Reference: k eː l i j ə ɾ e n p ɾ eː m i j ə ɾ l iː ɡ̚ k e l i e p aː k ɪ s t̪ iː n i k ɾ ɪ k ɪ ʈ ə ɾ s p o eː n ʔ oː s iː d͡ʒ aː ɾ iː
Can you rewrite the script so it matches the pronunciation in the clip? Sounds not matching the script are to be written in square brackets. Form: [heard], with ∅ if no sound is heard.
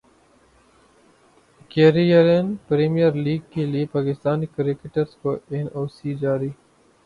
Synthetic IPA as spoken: k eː [ɾ] i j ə ɾ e n p ɾ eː m i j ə ɾ l iː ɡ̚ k e l i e p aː k ɪ s t̪ [aː] n i k ɾ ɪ k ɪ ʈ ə ɾ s [k] o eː n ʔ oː s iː d͡ʒ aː ɾ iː